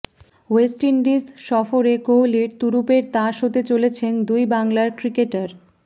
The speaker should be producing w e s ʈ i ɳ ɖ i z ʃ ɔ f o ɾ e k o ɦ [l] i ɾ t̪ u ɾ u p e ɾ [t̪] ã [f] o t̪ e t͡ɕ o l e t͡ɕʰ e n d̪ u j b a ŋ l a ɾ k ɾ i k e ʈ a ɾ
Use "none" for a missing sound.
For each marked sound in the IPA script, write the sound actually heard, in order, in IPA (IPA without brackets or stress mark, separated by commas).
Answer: l, t̪, ʃ